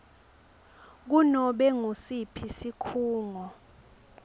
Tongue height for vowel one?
high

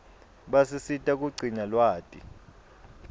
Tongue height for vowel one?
low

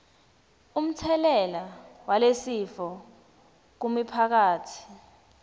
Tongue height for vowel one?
high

